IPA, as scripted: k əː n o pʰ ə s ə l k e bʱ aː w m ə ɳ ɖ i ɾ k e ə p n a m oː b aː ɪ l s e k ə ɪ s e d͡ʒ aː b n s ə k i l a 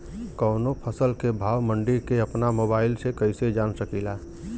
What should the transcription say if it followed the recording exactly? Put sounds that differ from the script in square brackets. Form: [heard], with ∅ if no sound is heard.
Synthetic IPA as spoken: k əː n o pʰ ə s ə l k e bʱ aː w m ə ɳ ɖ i ɾ k e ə p n a m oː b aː ɪ l s e k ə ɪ s e d͡ʒ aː [∅] n s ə k i l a